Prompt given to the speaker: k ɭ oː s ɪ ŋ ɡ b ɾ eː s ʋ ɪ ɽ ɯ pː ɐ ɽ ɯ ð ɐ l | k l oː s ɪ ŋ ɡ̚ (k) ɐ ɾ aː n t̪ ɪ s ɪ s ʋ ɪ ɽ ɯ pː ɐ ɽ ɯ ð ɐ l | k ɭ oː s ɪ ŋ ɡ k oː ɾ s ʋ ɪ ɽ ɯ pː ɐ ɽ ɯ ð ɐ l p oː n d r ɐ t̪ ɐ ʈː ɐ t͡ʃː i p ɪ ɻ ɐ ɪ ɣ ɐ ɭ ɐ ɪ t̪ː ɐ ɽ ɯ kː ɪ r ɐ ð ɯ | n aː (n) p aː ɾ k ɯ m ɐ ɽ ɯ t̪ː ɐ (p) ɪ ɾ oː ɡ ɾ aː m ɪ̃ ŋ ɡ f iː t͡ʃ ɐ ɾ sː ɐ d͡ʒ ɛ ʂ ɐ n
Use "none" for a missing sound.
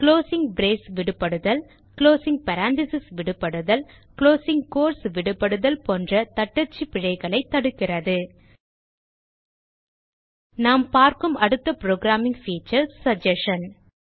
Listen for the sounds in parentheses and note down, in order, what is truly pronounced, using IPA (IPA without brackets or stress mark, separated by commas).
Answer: p, m, p